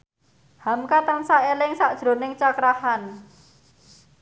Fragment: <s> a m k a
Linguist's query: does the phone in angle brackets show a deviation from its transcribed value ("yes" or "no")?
yes